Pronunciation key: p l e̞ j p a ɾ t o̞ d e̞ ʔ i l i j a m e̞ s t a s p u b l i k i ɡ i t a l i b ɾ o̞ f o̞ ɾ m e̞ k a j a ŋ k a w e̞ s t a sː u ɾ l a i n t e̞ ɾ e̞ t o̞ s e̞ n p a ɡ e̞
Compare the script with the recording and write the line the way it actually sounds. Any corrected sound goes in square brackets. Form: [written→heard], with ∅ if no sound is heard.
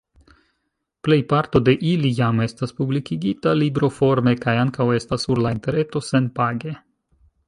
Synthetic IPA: p l e̞ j p a ɾ t o̞ d e̞ ʔ i l i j a m e̞ s t a s p u b l i k i ɡ i t a l i b ɾ o̞ f o̞ ɾ m e̞ k a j a ŋ k a w e̞ s t a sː u ɾ l a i n t e̞ ɾ e̞ t o̞ s e̞ n p a ɡ e̞